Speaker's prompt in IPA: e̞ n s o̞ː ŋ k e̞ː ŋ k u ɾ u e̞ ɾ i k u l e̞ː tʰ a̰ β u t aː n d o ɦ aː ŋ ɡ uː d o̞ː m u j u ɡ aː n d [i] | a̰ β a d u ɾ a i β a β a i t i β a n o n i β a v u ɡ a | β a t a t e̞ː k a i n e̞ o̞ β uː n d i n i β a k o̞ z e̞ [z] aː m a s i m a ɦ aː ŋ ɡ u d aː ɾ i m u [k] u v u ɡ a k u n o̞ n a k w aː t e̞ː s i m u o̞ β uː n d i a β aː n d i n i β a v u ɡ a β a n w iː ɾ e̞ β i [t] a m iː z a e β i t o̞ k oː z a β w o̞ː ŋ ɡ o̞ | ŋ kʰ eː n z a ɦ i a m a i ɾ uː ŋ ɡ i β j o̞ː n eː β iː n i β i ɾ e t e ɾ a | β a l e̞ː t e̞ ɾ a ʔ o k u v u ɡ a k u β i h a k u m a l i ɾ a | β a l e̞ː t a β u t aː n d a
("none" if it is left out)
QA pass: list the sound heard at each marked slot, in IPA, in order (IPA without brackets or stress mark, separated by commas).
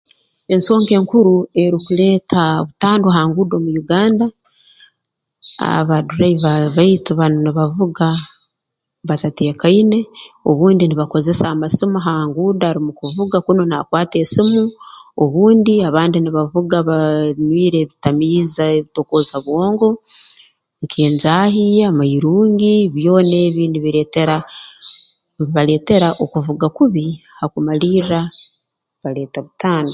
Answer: a, s, k, t